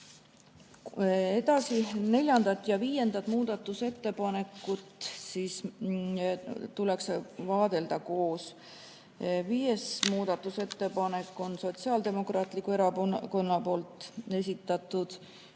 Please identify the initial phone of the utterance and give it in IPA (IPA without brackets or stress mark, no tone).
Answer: e̞